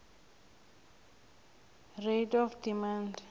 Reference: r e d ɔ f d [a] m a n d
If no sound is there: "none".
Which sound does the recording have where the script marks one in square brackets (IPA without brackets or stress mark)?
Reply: i